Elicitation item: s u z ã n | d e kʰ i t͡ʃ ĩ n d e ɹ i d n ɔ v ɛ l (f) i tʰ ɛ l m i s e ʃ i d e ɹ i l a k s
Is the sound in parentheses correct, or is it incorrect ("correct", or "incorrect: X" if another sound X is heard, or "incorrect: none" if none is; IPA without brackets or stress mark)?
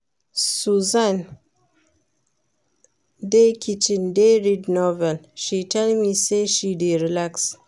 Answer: incorrect: ʃ